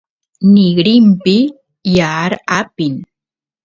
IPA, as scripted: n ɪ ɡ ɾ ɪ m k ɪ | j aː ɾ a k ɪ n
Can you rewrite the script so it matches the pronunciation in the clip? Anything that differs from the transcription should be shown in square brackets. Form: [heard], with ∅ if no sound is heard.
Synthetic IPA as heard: n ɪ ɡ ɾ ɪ m [p] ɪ | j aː ɾ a [p] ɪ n